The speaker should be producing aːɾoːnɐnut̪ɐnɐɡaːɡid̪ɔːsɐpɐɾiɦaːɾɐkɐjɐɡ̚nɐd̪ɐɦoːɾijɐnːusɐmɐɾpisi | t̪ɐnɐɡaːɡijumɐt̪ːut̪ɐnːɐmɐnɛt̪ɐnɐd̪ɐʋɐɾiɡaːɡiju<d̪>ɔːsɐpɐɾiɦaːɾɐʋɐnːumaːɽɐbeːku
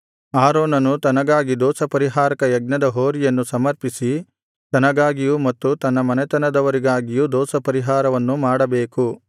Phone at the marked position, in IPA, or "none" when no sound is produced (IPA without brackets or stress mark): d̪